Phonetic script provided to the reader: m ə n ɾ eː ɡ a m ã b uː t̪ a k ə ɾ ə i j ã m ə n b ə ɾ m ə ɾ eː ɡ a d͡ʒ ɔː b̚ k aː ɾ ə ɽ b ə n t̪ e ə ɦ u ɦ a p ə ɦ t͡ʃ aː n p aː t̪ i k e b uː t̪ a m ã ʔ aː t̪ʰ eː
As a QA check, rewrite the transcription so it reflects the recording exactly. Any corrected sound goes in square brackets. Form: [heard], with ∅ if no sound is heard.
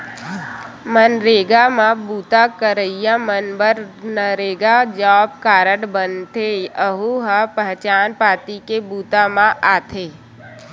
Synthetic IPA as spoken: m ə n ɾ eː ɡ a m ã b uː t̪ a k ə ɾ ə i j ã m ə n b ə ɾ [n] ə ɾ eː ɡ a d͡ʒ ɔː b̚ k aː ɾ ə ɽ b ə n t̪ e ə ɦ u ɦ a p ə ɦ t͡ʃ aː n p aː t̪ i k e b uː t̪ a m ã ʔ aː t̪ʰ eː